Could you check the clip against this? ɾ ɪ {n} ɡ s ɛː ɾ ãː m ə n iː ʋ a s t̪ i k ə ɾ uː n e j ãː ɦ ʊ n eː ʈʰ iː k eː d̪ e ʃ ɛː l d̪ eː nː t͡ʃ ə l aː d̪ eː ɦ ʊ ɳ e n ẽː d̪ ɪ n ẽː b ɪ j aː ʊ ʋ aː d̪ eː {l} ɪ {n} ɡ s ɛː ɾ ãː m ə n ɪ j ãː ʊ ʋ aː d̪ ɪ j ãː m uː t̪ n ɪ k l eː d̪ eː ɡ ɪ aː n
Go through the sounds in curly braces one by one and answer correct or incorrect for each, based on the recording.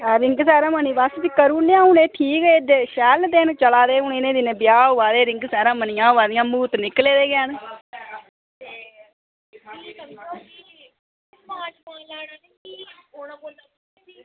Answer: incorrect, incorrect, incorrect

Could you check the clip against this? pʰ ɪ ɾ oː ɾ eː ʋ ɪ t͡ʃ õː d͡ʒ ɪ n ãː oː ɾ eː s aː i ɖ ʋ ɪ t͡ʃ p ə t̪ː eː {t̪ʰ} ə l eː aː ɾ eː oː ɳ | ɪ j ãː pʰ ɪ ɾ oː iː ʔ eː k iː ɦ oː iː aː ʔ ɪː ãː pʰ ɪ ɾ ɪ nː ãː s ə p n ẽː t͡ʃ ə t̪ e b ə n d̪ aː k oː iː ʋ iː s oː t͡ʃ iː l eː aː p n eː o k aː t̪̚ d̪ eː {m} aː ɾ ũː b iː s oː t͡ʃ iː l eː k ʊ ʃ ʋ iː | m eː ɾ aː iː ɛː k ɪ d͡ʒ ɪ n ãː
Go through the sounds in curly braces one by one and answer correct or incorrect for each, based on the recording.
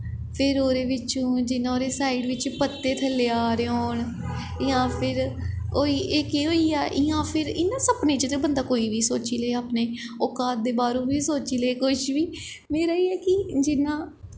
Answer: correct, incorrect

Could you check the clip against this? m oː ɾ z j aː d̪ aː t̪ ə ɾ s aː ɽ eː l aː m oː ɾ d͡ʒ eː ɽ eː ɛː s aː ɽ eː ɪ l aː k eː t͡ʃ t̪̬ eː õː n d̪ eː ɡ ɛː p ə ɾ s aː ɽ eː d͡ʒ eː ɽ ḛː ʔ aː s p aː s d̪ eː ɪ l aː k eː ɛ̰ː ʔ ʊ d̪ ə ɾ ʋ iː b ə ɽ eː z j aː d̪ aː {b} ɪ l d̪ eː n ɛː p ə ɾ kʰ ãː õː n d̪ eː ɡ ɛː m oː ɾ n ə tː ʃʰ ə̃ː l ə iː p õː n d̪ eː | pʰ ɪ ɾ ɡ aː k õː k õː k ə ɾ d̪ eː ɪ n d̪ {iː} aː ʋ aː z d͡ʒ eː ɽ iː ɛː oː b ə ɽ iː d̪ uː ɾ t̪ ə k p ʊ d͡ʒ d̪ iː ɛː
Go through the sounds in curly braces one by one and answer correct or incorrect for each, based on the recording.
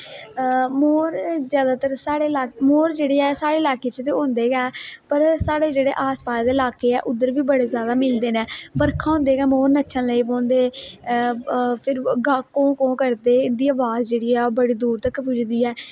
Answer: incorrect, correct

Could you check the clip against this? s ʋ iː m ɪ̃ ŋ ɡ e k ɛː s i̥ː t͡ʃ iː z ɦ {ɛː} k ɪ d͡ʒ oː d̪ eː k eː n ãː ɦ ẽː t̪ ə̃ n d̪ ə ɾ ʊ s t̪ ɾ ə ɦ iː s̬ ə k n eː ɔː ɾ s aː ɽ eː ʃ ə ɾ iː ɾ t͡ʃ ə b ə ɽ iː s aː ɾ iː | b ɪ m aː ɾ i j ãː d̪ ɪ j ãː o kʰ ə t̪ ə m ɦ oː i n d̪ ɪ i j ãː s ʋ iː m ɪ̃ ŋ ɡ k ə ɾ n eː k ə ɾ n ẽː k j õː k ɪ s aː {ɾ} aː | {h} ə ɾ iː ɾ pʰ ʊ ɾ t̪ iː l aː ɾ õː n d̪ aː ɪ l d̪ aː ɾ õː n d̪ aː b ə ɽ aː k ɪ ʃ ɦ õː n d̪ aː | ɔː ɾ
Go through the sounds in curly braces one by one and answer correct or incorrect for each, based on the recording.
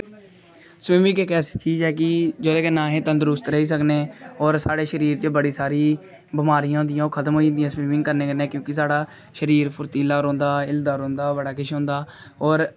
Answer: correct, incorrect, incorrect

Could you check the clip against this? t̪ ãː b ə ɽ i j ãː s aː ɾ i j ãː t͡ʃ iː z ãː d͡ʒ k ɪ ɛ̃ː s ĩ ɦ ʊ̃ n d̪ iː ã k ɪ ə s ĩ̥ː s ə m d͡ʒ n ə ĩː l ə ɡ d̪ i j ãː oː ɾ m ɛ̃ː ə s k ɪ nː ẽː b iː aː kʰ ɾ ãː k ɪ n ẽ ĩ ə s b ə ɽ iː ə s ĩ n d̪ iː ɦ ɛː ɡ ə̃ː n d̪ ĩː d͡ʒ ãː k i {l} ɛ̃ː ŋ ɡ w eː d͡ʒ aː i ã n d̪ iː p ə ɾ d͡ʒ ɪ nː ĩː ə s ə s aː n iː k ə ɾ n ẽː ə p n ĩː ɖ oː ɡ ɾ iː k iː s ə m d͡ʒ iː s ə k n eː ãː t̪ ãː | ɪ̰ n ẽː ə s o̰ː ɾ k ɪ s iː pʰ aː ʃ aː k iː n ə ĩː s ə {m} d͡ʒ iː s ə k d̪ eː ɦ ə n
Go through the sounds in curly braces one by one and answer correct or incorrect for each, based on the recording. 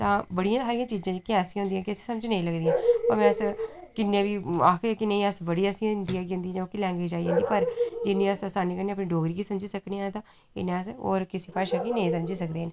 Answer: correct, correct

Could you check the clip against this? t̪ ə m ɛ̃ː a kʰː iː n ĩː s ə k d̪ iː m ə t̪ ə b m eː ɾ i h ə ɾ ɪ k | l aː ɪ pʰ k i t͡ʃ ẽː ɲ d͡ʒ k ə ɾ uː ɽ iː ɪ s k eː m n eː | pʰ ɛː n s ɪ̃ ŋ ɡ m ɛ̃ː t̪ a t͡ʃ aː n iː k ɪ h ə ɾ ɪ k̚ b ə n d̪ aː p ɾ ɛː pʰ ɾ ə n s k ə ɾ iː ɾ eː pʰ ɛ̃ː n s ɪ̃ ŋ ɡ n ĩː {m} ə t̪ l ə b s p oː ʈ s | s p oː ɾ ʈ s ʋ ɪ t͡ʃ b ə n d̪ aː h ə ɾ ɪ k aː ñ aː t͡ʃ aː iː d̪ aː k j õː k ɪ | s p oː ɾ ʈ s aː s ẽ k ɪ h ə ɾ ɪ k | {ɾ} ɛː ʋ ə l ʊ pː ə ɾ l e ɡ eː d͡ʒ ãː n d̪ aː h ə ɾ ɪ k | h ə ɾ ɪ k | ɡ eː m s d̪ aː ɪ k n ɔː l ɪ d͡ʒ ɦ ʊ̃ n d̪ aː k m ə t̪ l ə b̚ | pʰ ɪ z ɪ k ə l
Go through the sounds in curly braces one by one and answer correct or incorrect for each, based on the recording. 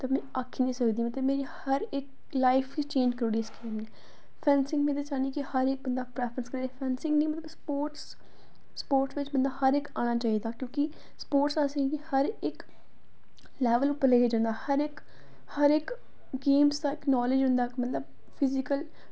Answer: correct, incorrect

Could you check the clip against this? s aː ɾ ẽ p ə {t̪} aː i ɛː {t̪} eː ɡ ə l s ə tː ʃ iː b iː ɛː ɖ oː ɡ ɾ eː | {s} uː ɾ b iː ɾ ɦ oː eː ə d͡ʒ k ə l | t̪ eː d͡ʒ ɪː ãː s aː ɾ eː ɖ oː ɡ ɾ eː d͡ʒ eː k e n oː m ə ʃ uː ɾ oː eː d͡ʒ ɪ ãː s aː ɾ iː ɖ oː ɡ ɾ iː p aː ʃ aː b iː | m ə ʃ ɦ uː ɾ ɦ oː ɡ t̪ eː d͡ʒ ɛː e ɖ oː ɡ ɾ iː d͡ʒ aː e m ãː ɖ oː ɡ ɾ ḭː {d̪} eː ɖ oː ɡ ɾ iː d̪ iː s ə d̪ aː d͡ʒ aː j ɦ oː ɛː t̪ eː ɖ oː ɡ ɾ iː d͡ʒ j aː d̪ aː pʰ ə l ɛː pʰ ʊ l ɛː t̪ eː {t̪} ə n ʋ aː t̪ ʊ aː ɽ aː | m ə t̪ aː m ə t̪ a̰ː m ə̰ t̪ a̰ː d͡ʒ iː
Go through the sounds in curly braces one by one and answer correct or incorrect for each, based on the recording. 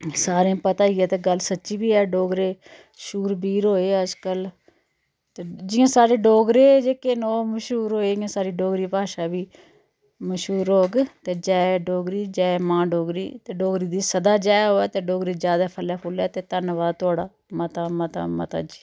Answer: correct, correct, incorrect, incorrect, correct

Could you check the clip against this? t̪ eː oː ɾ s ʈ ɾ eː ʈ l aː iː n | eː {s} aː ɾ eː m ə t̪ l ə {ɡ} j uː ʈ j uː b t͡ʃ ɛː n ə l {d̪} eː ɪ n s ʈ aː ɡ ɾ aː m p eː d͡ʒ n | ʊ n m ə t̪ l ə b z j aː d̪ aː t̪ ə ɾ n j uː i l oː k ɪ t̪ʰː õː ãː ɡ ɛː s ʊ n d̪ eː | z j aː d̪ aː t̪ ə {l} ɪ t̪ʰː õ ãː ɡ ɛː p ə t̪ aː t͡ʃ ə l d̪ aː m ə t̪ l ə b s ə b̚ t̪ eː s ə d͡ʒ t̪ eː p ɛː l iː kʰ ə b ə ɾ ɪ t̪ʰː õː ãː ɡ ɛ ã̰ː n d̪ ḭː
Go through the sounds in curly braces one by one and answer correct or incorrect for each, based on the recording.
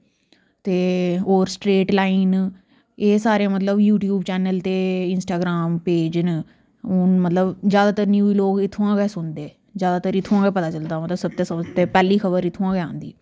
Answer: correct, incorrect, incorrect, incorrect

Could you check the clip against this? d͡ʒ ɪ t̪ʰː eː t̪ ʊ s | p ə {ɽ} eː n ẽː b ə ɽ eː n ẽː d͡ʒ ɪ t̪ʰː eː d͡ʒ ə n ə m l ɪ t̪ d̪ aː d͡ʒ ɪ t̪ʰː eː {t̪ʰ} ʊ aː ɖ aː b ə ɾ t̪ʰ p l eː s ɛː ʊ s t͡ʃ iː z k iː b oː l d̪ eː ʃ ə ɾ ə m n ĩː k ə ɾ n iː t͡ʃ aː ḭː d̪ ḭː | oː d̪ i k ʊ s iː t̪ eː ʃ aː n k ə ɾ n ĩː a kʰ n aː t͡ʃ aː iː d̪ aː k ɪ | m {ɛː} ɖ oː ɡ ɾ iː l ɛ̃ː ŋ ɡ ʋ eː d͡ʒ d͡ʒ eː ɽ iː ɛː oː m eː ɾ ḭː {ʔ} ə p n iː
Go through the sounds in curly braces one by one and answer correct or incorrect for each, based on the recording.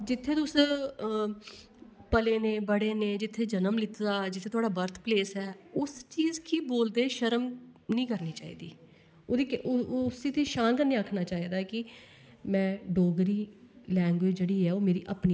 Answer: incorrect, incorrect, incorrect, correct

